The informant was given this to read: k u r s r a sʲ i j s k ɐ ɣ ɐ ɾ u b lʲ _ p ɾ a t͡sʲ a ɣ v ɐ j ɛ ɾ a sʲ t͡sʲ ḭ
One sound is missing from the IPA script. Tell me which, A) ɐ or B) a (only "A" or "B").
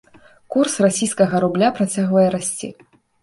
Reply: B